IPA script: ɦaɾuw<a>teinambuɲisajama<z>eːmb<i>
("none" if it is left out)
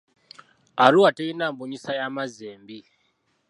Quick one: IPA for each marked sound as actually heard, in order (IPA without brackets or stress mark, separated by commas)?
a, z, i